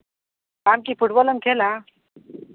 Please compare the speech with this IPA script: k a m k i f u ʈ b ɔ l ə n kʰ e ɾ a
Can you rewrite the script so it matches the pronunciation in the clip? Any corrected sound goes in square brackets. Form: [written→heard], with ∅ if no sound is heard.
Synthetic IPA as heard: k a m k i f u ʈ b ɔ l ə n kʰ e [ɾ→l] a